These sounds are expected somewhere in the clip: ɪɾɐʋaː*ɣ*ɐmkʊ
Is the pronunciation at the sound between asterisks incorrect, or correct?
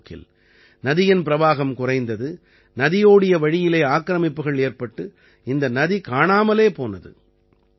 correct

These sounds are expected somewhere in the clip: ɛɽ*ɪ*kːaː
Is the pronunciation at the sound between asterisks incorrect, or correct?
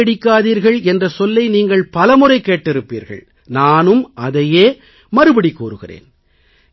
correct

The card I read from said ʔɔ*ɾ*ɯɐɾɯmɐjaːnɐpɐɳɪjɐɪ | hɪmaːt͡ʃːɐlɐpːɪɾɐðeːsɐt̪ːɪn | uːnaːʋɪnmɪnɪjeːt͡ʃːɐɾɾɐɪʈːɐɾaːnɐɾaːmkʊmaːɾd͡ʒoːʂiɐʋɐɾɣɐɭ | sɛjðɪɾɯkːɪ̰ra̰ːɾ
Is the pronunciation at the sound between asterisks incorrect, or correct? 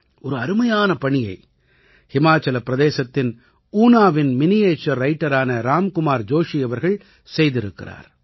correct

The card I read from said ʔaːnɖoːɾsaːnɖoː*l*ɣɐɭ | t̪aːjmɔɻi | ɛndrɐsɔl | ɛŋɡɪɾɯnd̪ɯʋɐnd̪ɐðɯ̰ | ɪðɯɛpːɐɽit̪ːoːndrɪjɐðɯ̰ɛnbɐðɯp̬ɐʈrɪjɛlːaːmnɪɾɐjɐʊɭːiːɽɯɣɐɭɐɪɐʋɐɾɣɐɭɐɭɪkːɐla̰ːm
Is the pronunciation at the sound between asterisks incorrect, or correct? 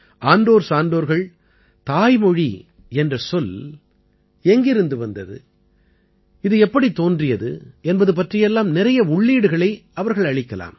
incorrect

